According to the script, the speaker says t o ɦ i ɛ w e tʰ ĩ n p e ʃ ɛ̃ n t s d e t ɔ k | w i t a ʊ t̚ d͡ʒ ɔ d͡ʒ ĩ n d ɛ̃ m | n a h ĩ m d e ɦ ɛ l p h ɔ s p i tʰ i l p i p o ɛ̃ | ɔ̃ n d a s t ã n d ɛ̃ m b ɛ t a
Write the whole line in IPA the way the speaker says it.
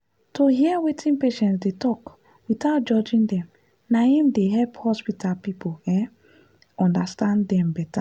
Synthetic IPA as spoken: t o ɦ i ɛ w e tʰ ĩ n p e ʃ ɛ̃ n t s d e t ɔ k | w i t a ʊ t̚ d͡ʒ ɔ d͡ʒ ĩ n d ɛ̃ m | n a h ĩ m d e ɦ ɛ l p h ɔ s p i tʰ a l p i p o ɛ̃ | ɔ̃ n d a s t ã n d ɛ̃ m b ɛ t a